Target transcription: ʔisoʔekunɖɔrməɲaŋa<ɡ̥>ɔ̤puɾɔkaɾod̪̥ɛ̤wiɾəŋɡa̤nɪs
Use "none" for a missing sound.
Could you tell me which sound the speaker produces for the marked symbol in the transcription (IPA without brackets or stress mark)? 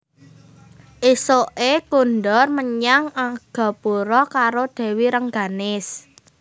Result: ɡ̥